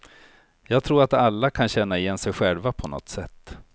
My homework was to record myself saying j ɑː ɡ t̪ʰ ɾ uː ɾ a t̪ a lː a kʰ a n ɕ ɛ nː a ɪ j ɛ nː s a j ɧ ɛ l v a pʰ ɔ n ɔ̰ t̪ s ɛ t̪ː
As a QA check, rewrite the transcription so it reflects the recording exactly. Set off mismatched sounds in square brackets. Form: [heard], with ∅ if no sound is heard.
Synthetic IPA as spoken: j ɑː ɡ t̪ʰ ɾ uː ɾ a t̪ a lː a kʰ a n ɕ ɛ nː a ɪ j ɛ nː s [ɛ] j ɧ ɛ l v a pʰ ɔ n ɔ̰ t̪ s ɛ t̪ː